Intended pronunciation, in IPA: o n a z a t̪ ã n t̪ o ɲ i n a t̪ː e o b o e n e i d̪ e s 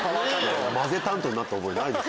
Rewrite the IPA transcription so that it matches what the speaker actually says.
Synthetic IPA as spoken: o m a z e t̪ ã n t̪ o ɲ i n a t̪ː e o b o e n a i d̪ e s